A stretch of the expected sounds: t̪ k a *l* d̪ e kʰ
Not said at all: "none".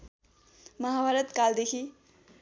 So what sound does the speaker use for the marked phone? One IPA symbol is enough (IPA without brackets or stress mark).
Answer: l